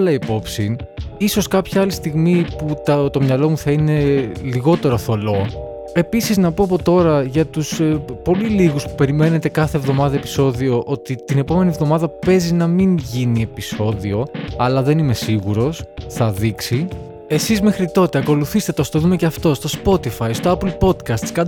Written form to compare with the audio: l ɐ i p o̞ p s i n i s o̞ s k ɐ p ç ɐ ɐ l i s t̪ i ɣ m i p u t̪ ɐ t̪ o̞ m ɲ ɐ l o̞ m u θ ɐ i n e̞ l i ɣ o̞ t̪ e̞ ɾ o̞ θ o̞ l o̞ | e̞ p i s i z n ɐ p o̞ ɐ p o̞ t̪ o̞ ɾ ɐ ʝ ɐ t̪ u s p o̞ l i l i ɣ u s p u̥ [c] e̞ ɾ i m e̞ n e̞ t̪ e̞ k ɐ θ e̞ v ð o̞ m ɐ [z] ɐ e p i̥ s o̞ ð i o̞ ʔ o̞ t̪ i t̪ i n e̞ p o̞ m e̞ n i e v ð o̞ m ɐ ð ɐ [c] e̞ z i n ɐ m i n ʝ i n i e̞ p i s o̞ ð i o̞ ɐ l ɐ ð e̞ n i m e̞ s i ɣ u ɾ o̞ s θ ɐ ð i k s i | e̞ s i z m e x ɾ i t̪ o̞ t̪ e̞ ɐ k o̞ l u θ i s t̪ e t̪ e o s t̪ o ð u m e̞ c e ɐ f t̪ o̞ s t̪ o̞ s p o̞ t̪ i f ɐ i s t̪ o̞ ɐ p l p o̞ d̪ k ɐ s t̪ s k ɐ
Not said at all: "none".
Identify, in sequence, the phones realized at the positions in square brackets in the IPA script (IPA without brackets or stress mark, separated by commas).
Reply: p, ð, p